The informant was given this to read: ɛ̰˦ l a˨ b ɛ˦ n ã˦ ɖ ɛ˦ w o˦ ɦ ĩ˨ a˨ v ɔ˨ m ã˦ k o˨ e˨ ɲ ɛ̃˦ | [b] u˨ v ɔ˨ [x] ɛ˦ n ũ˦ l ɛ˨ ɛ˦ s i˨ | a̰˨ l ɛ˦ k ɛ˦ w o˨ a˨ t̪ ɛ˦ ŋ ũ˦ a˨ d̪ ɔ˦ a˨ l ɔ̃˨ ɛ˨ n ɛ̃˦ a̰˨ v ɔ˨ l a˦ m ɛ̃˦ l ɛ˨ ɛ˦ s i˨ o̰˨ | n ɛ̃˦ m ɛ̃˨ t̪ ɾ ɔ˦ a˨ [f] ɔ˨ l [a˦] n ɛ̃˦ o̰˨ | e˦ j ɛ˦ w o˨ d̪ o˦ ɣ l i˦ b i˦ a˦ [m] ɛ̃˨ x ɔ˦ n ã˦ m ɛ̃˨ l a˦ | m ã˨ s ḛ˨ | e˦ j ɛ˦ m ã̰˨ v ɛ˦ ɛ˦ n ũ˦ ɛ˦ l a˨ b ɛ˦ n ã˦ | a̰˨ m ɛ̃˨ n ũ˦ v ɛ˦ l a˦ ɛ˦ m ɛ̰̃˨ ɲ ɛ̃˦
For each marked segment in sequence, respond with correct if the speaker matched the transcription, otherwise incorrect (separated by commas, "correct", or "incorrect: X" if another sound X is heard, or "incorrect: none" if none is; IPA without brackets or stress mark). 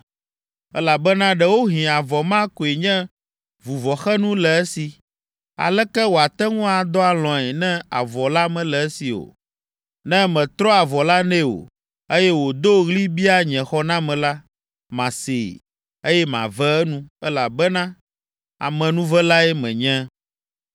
incorrect: v, correct, incorrect: v, correct, incorrect: ɲ